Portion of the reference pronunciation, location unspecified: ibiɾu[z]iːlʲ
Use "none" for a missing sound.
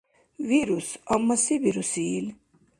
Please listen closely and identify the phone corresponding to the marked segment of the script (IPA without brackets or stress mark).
s